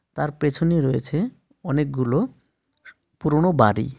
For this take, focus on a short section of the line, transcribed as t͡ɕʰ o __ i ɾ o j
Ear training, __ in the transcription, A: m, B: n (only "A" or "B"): B